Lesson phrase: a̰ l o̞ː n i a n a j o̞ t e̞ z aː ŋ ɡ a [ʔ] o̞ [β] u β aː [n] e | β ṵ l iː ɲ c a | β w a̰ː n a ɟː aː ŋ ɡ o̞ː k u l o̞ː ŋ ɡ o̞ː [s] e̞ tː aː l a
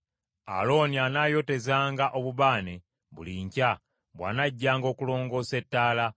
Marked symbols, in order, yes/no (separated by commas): yes, yes, yes, yes